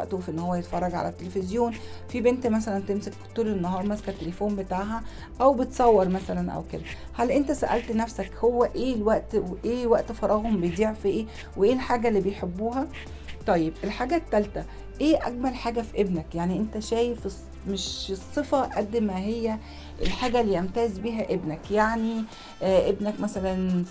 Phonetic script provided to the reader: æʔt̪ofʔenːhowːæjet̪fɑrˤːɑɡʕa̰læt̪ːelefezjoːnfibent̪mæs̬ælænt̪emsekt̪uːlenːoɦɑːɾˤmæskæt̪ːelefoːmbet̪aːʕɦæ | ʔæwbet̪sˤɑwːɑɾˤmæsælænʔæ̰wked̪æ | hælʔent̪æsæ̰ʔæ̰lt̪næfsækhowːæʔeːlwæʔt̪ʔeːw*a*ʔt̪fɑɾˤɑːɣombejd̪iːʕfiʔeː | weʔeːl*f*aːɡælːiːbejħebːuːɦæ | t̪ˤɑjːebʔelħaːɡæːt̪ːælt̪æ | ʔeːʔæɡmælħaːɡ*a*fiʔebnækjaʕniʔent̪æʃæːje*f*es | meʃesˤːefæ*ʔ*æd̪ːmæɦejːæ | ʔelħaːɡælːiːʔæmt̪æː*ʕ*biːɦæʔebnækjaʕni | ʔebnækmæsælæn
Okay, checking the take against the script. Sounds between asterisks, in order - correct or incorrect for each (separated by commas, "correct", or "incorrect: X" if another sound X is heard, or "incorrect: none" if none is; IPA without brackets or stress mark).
incorrect: æ, incorrect: ħ, incorrect: æ, correct, correct, incorrect: z